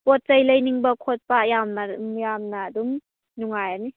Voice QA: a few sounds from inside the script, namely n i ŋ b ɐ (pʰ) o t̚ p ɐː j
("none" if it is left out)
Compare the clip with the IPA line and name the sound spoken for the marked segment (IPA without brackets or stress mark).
kʰ